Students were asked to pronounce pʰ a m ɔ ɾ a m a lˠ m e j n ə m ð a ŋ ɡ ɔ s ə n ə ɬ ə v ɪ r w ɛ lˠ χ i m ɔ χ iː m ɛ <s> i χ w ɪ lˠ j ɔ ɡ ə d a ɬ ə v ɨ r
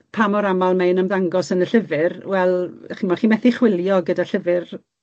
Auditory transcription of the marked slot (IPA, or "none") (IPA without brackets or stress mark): θ